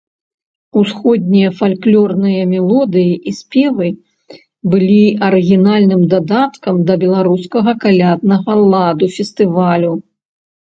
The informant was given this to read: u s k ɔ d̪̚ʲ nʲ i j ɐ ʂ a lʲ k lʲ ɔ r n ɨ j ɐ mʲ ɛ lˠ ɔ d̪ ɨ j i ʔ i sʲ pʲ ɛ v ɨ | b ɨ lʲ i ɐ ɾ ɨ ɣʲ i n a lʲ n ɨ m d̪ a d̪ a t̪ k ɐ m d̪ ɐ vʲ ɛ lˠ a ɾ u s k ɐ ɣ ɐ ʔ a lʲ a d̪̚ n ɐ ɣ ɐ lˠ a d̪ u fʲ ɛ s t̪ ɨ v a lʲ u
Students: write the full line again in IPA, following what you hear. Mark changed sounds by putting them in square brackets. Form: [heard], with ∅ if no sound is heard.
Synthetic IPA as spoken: u s [x] ɔ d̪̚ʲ nʲ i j ɐ [f] a lʲ k lʲ ɔ r n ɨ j ɐ mʲ ɛ lˠ ɔ d̪ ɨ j i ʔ i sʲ pʲ ɛ v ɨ | b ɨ lʲ i ɐ ɾ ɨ ɣʲ i n a lʲ n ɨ m d̪ a d̪ a t̪ k ɐ m d̪ ɐ [bʲ] ɛ lˠ a ɾ u s k ɐ ɣ ɐ [k] a lʲ a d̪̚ n ɐ ɣ ɐ lˠ a d̪ u fʲ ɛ s t̪ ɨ v a lʲ u